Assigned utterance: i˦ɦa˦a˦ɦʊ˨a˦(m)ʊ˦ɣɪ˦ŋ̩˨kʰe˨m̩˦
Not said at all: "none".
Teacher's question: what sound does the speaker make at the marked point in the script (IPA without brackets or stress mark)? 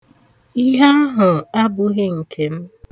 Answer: b